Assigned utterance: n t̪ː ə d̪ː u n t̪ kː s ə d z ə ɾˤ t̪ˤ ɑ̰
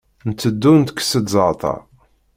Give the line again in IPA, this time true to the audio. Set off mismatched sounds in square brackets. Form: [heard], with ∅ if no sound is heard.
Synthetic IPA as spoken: n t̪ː ə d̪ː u n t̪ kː s ə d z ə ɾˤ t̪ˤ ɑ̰

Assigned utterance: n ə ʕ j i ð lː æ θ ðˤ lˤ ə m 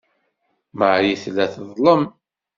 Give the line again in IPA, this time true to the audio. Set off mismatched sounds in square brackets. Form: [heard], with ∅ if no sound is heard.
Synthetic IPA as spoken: [m] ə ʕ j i [θ] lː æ θ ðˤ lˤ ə m

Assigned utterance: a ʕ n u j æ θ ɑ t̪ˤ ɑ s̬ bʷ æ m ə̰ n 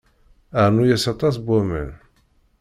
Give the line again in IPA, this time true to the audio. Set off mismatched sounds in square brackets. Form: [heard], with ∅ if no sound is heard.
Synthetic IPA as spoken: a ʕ n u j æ [s] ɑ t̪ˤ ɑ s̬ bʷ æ m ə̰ n

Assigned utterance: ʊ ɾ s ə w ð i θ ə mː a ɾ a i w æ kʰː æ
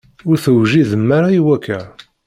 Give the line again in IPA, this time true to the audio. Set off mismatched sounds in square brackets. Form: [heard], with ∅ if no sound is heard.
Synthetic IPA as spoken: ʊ ɾ [θ] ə w [ʒ] i [ð] ə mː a ɾ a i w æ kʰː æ

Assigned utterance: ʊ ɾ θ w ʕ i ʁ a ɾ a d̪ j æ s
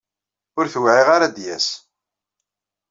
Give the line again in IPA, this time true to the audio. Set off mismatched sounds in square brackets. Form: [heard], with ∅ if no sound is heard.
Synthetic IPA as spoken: ʊ ɾ θ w ʕ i ʁ a ɾ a d̪ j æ s

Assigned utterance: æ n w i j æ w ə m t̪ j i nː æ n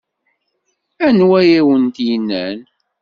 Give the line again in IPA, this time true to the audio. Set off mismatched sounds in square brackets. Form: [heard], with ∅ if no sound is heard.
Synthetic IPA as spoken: æ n w [æ] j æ w ə [n] t̪ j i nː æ n

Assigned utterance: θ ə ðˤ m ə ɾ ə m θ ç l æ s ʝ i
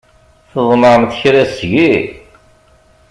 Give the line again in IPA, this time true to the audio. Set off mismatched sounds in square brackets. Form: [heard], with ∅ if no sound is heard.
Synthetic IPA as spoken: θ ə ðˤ m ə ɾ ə m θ ç [ɾ] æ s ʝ i

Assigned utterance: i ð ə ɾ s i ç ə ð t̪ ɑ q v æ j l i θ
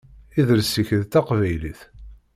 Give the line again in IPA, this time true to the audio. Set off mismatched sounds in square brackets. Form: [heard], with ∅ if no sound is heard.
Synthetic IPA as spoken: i ð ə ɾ s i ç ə ð t̪ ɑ q v æ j l i θ

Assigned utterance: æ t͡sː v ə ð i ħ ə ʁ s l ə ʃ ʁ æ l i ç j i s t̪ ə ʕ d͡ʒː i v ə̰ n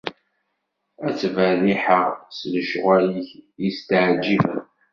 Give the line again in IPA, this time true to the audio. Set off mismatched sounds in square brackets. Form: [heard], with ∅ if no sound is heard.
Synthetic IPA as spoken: æ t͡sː v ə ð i ħ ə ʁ s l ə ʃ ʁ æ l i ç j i s t̪ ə ʕ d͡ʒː i v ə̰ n

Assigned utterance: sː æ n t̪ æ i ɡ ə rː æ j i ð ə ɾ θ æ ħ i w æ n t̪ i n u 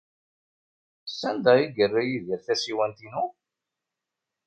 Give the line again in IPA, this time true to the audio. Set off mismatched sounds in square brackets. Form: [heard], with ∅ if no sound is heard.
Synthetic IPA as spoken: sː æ n [d̪] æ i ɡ ə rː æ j i ð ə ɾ θ æ [s] i w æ n t̪ i n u

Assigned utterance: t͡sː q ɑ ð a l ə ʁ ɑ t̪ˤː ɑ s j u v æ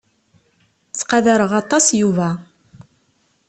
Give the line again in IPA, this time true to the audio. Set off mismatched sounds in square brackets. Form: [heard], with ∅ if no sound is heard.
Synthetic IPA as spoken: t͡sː q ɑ ð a [ɾ] ə ʁ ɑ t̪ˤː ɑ s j u v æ

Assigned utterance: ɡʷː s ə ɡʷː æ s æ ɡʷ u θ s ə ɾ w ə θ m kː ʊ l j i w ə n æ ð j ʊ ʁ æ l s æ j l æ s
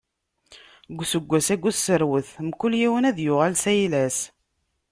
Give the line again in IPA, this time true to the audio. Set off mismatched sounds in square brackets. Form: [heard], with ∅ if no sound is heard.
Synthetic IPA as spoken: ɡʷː s ə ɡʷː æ s æ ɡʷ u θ s ə ɾ w ə θ m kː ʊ l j i w ə n æ ð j ʊ ʁ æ l s æ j l æ s

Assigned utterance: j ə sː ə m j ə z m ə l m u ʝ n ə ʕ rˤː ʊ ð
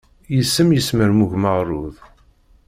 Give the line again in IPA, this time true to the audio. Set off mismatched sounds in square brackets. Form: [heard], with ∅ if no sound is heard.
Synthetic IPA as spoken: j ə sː ə m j ə [s] m ə [ɾ] m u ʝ [m] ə [ʁ] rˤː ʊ ð

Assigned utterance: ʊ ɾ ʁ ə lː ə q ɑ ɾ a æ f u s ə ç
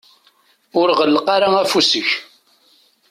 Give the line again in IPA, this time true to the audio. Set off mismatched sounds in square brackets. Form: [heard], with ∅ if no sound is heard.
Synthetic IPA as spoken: ʊ ɾ ʁ ə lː ə q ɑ ɾ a æ f u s ə ç

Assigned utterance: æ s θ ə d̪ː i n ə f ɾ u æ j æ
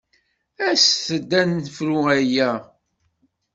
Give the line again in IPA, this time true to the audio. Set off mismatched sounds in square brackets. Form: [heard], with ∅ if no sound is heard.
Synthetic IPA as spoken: æ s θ ə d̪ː [æ] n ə f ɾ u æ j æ

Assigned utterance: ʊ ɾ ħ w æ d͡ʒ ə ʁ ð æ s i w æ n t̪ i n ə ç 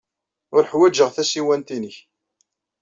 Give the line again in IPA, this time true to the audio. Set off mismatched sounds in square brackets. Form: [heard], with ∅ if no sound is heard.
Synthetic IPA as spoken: ʊ ɾ ħ w æ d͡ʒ ə ʁ [θ] æ s i w æ n t̪ i n ə ç

